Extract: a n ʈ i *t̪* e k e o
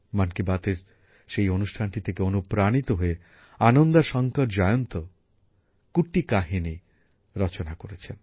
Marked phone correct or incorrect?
incorrect